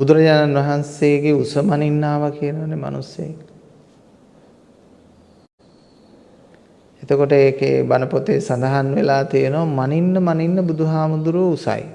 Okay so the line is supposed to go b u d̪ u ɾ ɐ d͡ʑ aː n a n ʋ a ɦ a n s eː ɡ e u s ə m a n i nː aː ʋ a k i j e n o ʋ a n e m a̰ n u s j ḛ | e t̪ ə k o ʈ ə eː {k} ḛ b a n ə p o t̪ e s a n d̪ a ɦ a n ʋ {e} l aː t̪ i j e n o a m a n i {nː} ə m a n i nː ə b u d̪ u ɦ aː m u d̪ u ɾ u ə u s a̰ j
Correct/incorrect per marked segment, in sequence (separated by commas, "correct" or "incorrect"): correct, correct, correct